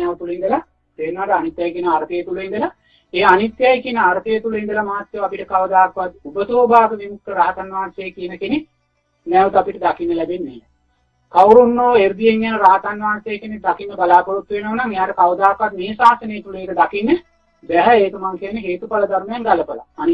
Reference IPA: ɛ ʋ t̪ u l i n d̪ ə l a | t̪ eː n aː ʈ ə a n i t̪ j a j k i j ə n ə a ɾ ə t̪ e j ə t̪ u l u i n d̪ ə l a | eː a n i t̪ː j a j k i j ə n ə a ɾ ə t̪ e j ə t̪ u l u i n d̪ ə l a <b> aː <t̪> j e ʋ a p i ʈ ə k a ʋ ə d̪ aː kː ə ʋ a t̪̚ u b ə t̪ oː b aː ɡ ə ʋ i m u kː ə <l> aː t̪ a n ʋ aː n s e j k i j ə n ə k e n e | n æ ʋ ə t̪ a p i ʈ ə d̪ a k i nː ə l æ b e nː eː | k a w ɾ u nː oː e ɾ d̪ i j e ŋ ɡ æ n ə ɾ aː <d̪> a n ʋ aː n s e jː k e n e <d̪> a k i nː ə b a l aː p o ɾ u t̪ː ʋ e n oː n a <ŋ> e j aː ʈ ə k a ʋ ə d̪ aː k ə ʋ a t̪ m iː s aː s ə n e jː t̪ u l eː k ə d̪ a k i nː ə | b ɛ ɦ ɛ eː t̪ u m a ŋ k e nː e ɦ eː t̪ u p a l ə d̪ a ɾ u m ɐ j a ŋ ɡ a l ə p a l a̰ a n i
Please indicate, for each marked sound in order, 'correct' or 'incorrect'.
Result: incorrect, correct, incorrect, incorrect, correct, correct

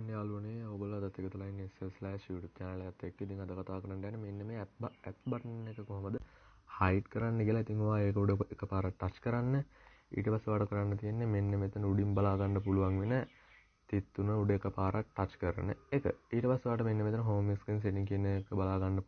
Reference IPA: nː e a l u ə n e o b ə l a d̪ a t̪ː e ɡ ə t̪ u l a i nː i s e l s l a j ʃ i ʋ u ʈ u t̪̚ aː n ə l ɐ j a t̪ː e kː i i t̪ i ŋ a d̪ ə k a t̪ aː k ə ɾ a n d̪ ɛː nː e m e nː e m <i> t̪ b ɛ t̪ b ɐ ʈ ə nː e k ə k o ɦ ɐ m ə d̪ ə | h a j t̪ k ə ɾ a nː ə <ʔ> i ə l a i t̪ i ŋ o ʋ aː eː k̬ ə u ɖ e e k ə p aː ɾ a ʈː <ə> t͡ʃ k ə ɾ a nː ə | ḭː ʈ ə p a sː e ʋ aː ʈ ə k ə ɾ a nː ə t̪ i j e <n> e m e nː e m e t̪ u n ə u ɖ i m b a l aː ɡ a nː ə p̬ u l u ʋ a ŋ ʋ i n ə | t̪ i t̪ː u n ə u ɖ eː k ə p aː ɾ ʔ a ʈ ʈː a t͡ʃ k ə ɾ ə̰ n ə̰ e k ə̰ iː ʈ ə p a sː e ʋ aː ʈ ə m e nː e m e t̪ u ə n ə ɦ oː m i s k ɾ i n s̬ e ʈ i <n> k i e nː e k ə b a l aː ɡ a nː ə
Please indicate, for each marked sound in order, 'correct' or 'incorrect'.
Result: incorrect, incorrect, incorrect, incorrect, incorrect

